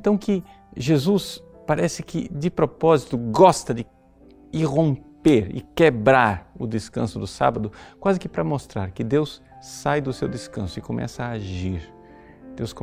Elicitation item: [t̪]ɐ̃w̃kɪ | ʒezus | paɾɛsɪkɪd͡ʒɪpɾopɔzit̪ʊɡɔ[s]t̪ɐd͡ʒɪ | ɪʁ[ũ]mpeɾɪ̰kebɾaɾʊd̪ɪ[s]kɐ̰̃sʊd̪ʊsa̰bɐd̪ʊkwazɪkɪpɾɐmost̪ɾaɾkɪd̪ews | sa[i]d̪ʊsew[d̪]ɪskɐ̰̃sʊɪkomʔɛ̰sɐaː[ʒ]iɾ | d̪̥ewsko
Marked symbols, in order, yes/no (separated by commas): yes, yes, no, yes, no, yes, yes